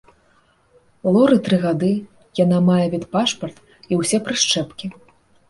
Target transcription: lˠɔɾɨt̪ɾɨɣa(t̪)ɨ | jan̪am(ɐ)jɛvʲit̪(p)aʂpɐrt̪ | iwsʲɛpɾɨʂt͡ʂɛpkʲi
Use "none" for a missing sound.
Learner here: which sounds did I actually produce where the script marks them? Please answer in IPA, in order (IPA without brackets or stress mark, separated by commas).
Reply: d̪, a, p